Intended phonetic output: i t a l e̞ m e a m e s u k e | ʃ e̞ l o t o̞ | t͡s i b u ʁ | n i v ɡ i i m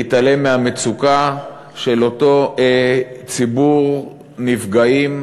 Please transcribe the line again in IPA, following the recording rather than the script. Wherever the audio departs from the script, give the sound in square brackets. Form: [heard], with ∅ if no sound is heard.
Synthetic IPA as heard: i t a l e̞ m e a m e [t͡s] u k [a] | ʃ e̞ l o t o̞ | t͡s i b u ʁ | n i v ɡ [a] i m